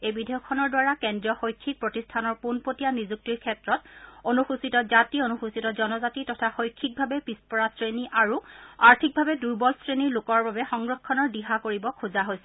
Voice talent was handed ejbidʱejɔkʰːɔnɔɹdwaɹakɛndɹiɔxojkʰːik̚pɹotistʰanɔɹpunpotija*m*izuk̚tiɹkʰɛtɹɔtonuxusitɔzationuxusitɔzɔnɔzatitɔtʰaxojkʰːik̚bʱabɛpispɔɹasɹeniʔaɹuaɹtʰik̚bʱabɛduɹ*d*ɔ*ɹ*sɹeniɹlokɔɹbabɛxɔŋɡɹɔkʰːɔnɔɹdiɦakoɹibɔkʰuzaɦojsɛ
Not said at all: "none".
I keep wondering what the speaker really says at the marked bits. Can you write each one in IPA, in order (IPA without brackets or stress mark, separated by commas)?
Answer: n, b, l